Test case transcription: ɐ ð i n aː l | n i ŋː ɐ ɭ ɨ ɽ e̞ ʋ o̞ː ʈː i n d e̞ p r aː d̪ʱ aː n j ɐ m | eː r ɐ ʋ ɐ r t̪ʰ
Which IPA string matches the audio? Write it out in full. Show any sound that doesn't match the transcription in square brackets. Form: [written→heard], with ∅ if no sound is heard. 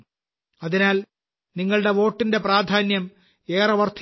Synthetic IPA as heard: ɐ ð i n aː l | n i ŋː ɐ ɭ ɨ ɽ e̞ ʋ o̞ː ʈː i n d e̞ p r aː d̪ʱ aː n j ɐ m | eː r ɐ ʋ ɐ r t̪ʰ